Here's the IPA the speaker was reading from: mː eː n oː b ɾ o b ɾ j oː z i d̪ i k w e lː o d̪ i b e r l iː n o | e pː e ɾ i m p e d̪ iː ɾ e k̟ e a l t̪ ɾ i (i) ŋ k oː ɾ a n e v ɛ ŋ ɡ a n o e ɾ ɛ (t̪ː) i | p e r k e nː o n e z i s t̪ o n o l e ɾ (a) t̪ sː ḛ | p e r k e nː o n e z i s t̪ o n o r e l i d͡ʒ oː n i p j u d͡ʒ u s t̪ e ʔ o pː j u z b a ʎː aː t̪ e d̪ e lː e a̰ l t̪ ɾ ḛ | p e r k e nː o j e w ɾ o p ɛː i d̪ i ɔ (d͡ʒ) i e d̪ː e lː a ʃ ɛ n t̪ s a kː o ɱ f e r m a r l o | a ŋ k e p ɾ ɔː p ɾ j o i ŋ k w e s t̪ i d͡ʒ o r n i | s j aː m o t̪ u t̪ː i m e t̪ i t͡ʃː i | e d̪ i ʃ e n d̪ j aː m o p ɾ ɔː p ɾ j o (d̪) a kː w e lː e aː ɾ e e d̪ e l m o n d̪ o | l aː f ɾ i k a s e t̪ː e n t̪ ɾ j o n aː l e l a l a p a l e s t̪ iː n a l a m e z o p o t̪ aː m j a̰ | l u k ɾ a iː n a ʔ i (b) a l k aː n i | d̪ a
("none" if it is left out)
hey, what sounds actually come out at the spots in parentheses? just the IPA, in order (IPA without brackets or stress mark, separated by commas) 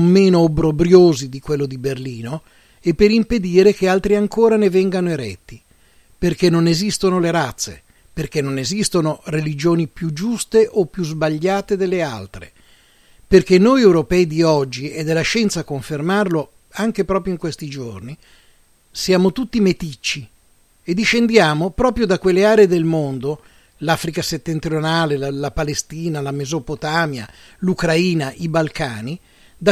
a, t̪ː, a, d͡ʒː, d̪, b